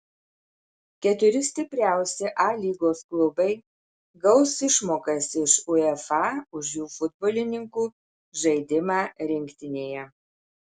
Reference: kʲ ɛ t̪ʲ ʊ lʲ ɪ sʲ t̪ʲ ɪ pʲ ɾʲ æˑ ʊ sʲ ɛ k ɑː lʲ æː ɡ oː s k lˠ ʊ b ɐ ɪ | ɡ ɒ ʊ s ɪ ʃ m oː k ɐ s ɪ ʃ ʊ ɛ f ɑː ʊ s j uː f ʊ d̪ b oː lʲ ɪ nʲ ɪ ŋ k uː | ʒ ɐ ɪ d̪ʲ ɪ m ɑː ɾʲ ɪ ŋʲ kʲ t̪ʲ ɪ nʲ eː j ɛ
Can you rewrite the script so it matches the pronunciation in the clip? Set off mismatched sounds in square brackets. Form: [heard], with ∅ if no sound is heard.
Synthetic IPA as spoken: kʲ ɛ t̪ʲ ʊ [ɾʲ] ɪ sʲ t̪ʲ ɪ pʲ ɾʲ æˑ ʊ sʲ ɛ [ʔ] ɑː lʲ [iː] ɡ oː s k lˠ ʊ b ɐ ɪ | ɡ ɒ ʊ s ɪ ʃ m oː k ɐ s ɪ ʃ ʊ ɛ f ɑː ʊ [ʃ] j uː f ʊ d̪ b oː lʲ ɪ nʲ ɪ ŋ k uː | ʒ ɐ ɪ d̪ʲ ɪ m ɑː ɾʲ ɪ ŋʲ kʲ t̪ʲ ɪ nʲ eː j ɛ